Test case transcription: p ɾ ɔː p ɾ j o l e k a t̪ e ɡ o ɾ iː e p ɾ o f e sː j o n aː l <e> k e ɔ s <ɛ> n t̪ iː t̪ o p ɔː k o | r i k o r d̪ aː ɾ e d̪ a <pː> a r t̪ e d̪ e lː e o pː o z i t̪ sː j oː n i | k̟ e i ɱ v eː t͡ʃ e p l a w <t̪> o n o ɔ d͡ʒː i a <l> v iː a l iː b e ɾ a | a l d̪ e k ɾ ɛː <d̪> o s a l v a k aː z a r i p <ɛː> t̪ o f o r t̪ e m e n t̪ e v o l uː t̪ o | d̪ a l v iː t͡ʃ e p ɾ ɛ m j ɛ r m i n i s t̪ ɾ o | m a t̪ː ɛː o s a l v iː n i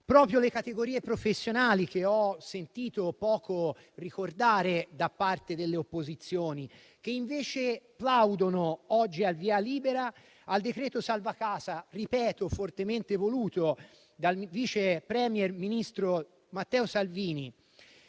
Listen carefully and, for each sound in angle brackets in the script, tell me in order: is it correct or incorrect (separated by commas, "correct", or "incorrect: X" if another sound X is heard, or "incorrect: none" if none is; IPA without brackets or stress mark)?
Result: incorrect: i, incorrect: e, correct, incorrect: d̪, correct, incorrect: t̪, correct